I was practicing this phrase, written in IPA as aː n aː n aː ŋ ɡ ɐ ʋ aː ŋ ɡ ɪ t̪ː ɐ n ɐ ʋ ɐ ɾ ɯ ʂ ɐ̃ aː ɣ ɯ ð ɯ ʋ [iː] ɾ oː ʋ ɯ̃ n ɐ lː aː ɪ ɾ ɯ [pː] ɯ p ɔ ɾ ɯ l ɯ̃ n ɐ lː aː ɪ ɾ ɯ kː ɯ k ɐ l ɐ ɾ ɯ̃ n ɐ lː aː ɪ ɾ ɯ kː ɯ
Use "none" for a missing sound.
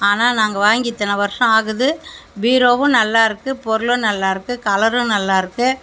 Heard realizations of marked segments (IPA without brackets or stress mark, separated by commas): iː, kː